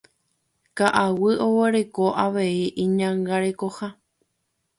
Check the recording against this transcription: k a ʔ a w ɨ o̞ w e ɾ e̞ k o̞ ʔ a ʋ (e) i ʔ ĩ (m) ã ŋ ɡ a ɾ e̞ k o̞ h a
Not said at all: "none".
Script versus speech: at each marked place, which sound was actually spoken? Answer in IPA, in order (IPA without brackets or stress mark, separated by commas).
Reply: e, ɲ